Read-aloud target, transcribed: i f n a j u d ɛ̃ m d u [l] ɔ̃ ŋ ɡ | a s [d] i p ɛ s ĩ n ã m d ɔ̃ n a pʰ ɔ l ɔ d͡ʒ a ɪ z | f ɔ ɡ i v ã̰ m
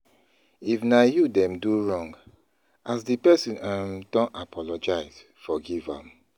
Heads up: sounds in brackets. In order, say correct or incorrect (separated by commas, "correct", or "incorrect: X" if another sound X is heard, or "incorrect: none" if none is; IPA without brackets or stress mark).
incorrect: ɹ, correct